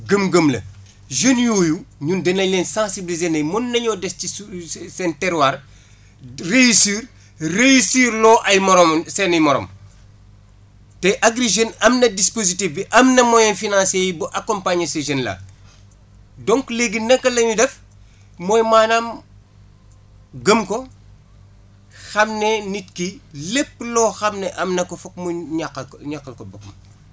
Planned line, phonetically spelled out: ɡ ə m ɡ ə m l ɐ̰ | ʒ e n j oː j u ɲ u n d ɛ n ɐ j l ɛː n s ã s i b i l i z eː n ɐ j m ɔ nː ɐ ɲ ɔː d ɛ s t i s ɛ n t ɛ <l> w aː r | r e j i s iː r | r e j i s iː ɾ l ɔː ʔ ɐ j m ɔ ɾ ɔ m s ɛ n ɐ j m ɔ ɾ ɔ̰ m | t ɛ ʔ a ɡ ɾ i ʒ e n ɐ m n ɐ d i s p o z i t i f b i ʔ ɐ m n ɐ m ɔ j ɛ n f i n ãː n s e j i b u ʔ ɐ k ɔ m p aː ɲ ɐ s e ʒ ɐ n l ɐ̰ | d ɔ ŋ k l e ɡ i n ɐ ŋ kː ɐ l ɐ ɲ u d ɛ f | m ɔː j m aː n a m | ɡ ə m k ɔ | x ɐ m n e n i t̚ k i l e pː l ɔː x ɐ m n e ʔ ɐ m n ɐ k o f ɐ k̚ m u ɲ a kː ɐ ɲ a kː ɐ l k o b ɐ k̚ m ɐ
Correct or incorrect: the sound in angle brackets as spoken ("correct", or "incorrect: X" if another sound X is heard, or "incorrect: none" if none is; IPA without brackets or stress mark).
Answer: incorrect: ɾ